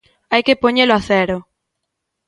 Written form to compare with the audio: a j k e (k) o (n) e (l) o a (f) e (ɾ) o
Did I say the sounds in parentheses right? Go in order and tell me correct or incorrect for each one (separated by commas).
incorrect, incorrect, correct, incorrect, correct